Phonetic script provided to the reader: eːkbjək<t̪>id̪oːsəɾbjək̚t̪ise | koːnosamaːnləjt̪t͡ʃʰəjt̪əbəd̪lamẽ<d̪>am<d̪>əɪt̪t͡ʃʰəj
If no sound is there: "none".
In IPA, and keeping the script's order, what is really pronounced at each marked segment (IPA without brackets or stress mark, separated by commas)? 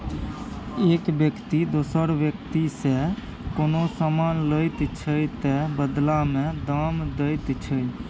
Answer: t̪, d̪, d̪